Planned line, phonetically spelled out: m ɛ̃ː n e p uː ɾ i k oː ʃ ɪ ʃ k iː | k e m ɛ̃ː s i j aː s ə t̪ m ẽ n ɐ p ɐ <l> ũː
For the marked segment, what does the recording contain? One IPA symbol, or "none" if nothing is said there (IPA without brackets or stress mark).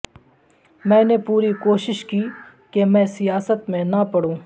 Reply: ɽ